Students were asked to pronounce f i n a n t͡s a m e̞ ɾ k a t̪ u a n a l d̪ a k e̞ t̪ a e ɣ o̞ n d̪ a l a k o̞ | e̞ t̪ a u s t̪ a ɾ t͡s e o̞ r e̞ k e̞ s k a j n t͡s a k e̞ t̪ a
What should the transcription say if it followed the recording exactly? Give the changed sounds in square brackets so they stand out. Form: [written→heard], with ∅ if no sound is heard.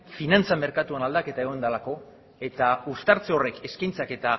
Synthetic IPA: f i n a n t͡s a m e̞ ɾ k a t̪ u a n a l d̪ a k e̞ t̪ a e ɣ o̞ n d̪ a l a k o̞ | e̞ t̪ a u s t̪ a ɾ t͡s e o̞ r e̞ k e̞ s k a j n t͡s a k e̞ t̪ a